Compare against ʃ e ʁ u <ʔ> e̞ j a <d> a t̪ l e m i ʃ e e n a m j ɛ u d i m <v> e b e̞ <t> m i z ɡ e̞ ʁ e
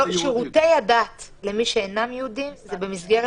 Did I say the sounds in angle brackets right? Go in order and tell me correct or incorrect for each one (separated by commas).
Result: incorrect, correct, incorrect, incorrect